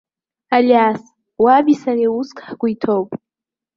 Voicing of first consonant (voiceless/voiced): voiced